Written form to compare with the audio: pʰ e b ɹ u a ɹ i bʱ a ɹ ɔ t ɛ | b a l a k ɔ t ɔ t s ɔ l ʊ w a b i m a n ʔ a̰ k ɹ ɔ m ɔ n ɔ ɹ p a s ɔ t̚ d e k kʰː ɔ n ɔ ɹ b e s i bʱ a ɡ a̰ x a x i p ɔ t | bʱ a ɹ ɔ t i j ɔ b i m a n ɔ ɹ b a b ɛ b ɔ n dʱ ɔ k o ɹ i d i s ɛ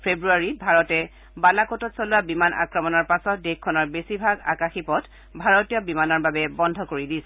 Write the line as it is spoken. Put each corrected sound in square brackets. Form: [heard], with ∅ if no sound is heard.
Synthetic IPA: pʰ e b ɹ u a ɹ i bʱ a ɹ ɔ t ɛ | b a l a k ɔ t ɔ t s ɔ l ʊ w a b i m a n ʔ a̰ k ɹ ɔ m ɔ n ɔ ɹ p a s ɔ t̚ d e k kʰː ɔ n ɔ ɹ b e s i bʱ a ɡ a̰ [k] a x i p ɔ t | bʱ a ɹ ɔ t i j ɔ b i m a n ɔ ɹ b a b ɛ b ɔ n dʱ ɔ k o ɹ i d i s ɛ

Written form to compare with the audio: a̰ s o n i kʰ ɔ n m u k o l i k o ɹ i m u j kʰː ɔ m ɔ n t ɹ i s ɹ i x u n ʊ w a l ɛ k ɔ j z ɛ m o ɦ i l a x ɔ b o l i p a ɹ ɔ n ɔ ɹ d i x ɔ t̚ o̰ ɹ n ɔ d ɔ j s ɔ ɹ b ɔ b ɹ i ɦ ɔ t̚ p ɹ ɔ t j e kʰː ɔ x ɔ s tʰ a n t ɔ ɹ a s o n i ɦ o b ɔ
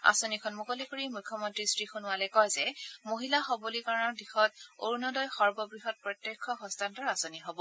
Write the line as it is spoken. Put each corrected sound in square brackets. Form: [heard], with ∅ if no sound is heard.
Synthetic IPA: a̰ s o n i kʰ ɔ n m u k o l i k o ɹ i m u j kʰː ɔ m ɔ n t ɹ i s ɹ i x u n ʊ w a l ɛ k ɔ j z ɛ m o ɦ i l a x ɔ b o l i [k] a ɹ ɔ n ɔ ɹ d i x ɔ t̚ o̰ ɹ n ɔ d ɔ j [x] ɔ ɹ b ɔ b ɹ i ɦ ɔ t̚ p ɹ ɔ t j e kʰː ɔ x ɔ s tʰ a n t ɔ ɹ a s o n i ɦ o b ɔ

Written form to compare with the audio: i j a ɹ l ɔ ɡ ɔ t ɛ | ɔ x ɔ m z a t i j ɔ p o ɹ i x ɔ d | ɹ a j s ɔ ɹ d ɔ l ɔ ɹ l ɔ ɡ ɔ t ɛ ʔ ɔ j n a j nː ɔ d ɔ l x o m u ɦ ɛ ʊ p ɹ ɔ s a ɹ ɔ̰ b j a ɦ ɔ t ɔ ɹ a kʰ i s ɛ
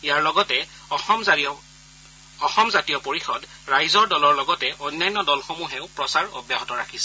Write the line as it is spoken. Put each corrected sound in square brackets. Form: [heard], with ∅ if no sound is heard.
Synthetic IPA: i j a ɹ l ɔ ɡ ɔ t ɛ | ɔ x ɔ m z a t i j ɔ p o ɹ i x ɔ d | ɹ a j [z] ɔ ɹ d ɔ l ɔ ɹ l ɔ ɡ ɔ t ɛ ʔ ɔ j n a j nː ɔ d ɔ l x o m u ɦ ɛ ʊ p ɹ ɔ s a ɹ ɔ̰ b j a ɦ ɔ t ɔ ɹ a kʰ i s ɛ

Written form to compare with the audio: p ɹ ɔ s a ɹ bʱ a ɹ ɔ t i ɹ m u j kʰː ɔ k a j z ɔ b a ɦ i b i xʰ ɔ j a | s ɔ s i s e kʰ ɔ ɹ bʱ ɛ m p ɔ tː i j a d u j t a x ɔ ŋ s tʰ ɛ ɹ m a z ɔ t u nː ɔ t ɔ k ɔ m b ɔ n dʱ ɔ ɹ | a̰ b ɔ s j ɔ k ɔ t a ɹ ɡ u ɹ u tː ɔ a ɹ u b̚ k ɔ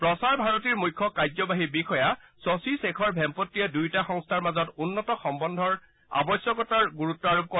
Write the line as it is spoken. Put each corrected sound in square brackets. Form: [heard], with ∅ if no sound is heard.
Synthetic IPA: p ɹ ɔ s a ɹ bʱ a ɹ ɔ t i ɹ m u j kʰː ɔ k a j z ɔ b a ɦ i b i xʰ ɔ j a | s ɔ s i s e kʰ ɔ ɹ bʱ ɛ m p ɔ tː i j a d u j t a x ɔ ŋ s tʰ [a] ɹ m a z ɔ t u nː ɔ t ɔ [x] ɔ m b ɔ n dʱ ɔ ɹ | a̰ b ɔ s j ɔ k ɔ t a ɹ ɡ u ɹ u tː ɔ a ɹ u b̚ k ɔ

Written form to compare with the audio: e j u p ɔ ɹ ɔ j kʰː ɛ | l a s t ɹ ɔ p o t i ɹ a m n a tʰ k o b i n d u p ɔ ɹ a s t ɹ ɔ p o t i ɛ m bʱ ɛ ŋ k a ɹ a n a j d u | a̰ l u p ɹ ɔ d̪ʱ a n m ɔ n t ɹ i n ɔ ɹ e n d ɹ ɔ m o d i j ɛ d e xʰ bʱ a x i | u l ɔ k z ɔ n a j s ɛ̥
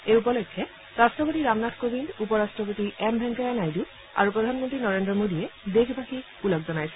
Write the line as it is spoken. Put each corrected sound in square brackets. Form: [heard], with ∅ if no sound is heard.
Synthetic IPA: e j u p ɔ [l] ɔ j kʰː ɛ | [ɹ] a s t ɹ ɔ p o t i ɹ a m n a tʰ k o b i n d u p ɔ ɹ a s t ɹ ɔ p o t i ɛ m bʱ ɛ ŋ k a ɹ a n a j d u | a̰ [ɹ] u p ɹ ɔ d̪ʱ a n m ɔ n t ɹ i n ɔ ɹ e n d ɹ ɔ m o d i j ɛ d e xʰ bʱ a x i | u l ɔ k z ɔ n a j s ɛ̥

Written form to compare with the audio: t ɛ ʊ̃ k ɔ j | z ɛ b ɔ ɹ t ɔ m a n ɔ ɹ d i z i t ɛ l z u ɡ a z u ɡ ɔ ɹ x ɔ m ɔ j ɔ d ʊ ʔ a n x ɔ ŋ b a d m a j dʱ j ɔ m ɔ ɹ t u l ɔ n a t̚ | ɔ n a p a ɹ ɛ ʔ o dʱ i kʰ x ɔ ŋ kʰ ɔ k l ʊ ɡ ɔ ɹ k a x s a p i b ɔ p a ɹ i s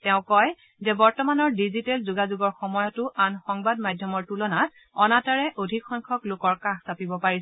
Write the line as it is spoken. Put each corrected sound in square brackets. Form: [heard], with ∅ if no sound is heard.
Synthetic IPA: t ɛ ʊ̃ k ɔ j | z ɛ b ɔ ɹ t ɔ m a n ɔ ɹ d i z i t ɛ l z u ɡ a z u ɡ ɔ ɹ x ɔ m ɔ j ɔ [t] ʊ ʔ a n x ɔ ŋ b a d m a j dʱ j ɔ m ɔ ɹ t u l ɔ n a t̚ | ɔ n a [t] a ɹ ɛ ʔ o dʱ i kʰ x ɔ ŋ kʰ ɔ k l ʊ [k] ɔ ɹ k a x s a p i b ɔ p a ɹ i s

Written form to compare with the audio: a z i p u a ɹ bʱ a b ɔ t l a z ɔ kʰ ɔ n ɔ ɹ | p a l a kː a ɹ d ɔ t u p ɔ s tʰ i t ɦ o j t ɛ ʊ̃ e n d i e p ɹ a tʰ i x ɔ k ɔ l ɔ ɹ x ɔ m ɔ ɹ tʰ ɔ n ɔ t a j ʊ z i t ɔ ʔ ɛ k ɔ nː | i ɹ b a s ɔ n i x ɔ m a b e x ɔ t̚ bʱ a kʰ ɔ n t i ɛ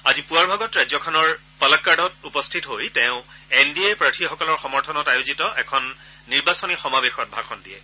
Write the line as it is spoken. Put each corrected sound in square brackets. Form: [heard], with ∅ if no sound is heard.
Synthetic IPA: a z i p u a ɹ bʱ a [ɡ] ɔ t [ɹ] a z ɔ kʰ ɔ n ɔ ɹ | p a l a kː a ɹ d ɔ t u p ɔ s tʰ i t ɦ o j t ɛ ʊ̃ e n d i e p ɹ a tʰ i x ɔ k ɔ l ɔ ɹ x ɔ m ɔ ɹ tʰ ɔ n ɔ t a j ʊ z i t ɔ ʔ ɛ [kʰ] ɔ nː | i ɹ b a s ɔ n i x ɔ m a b e x ɔ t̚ bʱ a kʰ ɔ n [d] i ɛ

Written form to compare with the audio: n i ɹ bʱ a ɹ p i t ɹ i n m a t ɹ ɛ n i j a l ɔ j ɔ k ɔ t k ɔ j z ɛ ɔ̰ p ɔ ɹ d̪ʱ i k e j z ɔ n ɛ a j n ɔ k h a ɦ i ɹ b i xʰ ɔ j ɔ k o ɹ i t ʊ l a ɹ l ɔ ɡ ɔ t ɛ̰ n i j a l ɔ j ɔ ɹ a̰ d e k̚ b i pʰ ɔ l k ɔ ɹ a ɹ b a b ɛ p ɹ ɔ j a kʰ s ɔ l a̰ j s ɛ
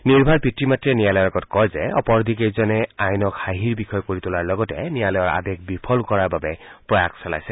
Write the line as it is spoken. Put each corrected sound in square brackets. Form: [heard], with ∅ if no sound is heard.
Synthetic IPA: n i ɹ bʱ a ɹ p i t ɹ i [∅] m a t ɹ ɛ n i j a l ɔ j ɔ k ɔ t k ɔ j z ɛ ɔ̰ p ɔ ɹ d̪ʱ i k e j z ɔ n ɛ a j n ɔ k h a ɦ i ɹ b i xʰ ɔ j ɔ k o ɹ i t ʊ l a ɹ l ɔ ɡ ɔ t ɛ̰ n i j a l ɔ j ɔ ɹ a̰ d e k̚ b i pʰ ɔ l k ɔ ɹ a ɹ b a b ɛ p ɹ ɔ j a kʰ s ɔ l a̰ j s ɛ

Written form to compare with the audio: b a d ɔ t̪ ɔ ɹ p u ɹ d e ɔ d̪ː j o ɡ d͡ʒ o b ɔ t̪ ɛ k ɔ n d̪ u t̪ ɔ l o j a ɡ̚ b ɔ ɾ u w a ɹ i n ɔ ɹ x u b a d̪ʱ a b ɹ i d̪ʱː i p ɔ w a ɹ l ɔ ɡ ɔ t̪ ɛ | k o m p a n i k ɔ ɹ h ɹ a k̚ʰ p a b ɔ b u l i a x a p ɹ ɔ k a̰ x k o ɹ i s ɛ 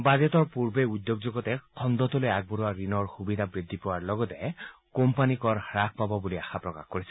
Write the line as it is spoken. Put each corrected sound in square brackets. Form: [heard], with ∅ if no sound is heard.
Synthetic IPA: b a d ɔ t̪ ɔ ɹ p u ɹ [b] e [u] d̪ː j o ɡ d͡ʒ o [ɡ] ɔ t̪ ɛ [kʰ] ɔ n d̪ [ɔ] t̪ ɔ l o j a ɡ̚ b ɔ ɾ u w a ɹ i n ɔ ɹ x u b [i] d̪ʱ a b ɹ i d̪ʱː i p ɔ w a ɹ l ɔ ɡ ɔ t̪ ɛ | k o m p a n i k ɔ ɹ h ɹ a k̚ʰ p a b ɔ b u l i a x a p ɹ ɔ k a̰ x k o ɹ i s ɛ

